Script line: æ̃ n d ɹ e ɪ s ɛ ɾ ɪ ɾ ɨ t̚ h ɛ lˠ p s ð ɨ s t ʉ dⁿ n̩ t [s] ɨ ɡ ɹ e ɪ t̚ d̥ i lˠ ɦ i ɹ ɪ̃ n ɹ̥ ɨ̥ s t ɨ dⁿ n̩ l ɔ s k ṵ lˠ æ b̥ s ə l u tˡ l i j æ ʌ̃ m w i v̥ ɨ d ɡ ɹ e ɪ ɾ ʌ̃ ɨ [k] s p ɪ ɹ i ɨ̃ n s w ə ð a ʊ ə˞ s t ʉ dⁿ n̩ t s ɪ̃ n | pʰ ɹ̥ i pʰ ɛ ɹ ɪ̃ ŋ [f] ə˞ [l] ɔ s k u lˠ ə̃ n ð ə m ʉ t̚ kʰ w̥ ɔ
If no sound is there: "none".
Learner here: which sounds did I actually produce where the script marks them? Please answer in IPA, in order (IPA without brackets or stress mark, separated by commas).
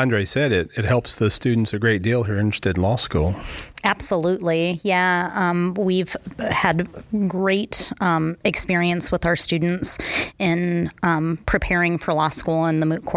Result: s, k, f, l